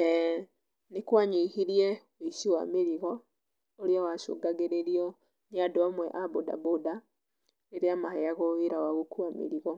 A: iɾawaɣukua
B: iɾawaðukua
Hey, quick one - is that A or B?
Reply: A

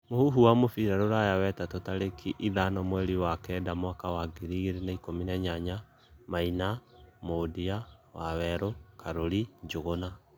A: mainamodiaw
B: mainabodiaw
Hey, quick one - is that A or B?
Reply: A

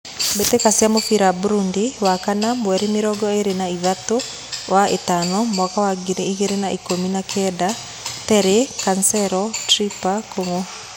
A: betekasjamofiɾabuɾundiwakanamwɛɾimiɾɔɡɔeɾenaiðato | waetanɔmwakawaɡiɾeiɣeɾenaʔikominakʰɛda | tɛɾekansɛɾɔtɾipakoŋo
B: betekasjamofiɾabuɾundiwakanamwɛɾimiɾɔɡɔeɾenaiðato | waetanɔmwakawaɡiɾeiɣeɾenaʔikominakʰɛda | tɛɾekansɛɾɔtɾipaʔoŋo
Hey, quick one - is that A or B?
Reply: A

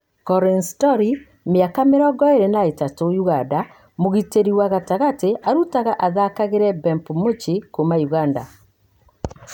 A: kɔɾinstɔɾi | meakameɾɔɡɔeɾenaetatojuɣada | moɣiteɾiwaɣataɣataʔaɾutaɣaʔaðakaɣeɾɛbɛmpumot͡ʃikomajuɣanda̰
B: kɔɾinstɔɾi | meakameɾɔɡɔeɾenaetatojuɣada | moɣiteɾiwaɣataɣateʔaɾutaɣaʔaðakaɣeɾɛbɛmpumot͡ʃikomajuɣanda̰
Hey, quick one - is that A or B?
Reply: B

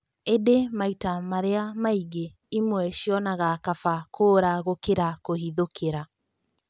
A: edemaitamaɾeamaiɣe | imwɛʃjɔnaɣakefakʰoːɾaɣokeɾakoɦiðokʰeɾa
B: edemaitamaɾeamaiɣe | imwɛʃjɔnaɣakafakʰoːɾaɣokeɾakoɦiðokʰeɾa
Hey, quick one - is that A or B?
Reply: B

